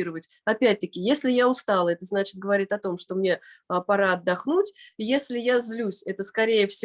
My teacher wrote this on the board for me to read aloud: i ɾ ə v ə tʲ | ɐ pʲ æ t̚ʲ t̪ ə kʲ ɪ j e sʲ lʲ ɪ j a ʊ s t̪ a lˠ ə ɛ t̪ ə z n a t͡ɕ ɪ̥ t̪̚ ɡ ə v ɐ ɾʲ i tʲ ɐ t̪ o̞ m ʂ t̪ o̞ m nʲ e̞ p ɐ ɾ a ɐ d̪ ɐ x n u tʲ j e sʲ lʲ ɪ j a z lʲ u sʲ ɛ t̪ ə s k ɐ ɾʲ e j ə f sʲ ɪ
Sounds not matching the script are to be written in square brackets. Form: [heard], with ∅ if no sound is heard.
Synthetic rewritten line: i ɾ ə v ə tʲ | ɐ pʲ æ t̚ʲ t̪ ə kʲ ɪ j e sʲ lʲ ɪ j a ʊ s t̪ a lˠ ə ɛ t̪ ə z n a t͡ɕ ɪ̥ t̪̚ ɡ ə v ɐ ɾʲ i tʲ ɐ t̪ o̞ m ʂ t̪ o̞ m nʲ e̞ p ɐ ɾ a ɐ [d̪ː] ɐ x n u tʲ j e sʲ lʲ ɪ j a z lʲ u sʲ ɛ t̪ ə s k ɐ ɾʲ e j ə f sʲ ɪ